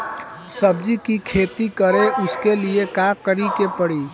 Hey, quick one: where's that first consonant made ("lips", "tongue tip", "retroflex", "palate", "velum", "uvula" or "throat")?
tongue tip